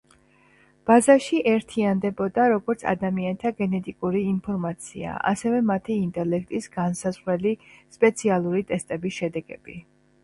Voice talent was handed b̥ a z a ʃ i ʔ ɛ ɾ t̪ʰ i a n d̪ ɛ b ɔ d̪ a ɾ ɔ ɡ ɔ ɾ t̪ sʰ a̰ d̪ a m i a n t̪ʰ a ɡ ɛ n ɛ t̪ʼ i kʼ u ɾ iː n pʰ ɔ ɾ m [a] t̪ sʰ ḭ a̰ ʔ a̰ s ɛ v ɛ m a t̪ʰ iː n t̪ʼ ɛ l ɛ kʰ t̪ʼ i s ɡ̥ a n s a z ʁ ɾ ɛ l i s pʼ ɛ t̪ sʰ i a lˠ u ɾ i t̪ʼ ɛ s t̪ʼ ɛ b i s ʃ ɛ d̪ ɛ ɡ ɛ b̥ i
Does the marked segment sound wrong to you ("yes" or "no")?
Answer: no